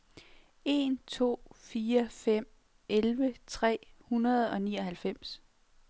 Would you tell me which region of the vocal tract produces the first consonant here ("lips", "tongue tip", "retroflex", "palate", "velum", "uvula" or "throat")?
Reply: tongue tip